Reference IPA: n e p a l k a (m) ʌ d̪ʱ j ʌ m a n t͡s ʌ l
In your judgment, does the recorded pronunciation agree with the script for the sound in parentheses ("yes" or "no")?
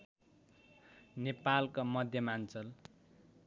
yes